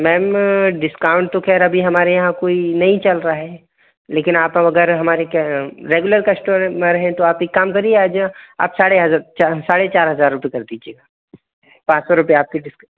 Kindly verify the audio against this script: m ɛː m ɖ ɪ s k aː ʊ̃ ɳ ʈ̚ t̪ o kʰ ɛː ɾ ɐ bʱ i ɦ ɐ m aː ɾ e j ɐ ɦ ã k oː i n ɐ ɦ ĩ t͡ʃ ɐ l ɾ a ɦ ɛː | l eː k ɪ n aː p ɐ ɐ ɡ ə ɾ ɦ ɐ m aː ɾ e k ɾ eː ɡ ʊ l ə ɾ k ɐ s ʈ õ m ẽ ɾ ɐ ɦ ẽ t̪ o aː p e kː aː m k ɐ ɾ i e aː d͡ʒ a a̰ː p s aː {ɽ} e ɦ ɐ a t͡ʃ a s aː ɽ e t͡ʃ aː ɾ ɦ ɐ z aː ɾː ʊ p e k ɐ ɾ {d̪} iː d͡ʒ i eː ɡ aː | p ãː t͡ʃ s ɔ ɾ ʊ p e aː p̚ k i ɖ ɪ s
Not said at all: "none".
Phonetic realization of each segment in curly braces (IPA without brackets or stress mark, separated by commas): ɽ, d̪